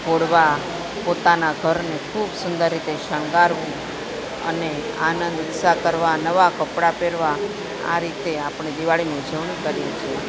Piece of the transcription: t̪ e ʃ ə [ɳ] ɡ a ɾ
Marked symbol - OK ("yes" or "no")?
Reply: no